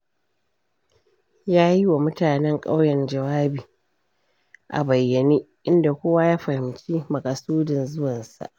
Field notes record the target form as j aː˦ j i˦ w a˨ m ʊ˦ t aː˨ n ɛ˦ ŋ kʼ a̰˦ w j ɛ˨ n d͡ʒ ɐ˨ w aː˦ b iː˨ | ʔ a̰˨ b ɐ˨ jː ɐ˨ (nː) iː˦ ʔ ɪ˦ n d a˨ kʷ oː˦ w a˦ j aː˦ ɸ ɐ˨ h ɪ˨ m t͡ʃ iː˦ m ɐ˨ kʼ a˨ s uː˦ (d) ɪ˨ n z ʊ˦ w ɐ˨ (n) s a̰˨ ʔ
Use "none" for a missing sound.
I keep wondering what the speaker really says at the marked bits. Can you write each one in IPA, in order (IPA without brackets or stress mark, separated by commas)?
n, d, n